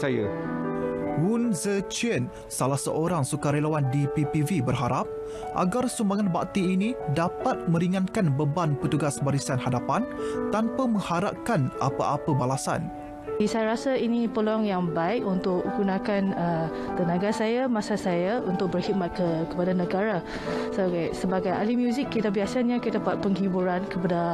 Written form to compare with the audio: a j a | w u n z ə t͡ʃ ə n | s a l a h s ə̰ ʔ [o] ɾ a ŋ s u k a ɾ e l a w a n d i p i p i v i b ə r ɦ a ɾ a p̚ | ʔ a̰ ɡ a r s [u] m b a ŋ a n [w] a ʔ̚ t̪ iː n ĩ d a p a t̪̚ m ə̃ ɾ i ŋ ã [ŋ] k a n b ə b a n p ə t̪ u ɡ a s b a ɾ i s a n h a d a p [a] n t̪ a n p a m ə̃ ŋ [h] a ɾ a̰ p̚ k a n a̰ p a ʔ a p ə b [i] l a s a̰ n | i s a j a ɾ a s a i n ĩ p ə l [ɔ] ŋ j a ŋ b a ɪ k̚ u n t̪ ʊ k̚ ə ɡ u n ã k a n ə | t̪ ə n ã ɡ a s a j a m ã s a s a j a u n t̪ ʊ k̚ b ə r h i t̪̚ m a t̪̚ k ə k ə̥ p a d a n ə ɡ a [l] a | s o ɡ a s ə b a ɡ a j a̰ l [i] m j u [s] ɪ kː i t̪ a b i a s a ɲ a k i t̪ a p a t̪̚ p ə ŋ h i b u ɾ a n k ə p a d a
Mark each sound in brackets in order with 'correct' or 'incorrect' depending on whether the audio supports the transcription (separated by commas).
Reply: correct, correct, incorrect, incorrect, correct, correct, incorrect, correct, incorrect, correct, incorrect